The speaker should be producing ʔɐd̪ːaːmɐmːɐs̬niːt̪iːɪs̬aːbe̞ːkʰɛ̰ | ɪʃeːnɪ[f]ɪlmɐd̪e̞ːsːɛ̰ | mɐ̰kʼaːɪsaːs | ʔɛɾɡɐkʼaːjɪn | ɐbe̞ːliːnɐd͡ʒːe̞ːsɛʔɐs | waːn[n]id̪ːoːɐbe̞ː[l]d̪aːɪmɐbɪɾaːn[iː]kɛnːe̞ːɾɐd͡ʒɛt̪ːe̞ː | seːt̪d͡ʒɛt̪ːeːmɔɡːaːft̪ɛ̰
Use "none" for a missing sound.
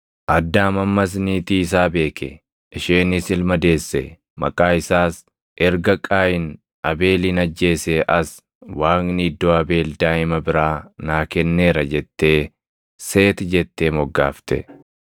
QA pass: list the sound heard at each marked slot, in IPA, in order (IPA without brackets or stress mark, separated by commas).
s, n, l, aː